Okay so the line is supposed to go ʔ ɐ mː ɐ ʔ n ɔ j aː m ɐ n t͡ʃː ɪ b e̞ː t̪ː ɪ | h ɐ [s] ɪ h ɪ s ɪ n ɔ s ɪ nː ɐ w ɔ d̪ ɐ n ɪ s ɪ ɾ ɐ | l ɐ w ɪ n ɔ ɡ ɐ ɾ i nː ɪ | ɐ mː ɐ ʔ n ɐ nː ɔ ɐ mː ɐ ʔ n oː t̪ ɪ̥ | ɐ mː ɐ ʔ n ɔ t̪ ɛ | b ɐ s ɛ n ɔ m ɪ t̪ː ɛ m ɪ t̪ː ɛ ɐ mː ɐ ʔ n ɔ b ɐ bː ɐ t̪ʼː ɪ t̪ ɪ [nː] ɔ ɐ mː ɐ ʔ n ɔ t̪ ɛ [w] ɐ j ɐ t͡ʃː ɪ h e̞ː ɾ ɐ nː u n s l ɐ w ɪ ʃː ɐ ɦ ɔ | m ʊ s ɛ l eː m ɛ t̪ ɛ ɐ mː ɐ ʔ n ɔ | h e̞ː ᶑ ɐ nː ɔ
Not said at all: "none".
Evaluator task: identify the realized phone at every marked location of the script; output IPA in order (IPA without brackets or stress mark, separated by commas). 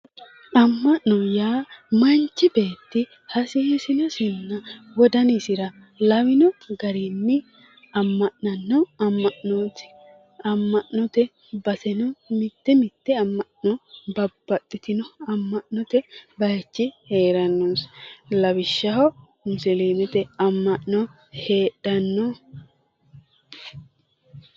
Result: s, n, b